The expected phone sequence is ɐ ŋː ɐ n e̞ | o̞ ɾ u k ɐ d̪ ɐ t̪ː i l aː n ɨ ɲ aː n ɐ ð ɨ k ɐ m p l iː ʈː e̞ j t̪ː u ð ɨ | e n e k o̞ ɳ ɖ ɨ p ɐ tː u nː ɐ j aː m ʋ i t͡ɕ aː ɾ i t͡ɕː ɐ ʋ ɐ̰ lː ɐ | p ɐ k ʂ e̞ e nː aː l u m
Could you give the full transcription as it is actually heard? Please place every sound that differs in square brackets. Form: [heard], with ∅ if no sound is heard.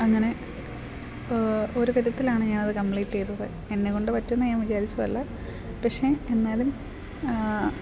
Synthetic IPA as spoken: ɐ ŋː ɐ n e̞ | o̞ ɾ u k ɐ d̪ ɐ t̪ː i l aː [ɳ] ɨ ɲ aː n ɐ ð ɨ k ɐ m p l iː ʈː e̞ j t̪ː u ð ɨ | e [nː] e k o̞ ɳ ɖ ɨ p ɐ tː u nː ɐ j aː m ʋ i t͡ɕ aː ɾ i t͡ɕː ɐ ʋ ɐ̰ lː ɐ | p ɐ k ʂ e̞ e nː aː l u m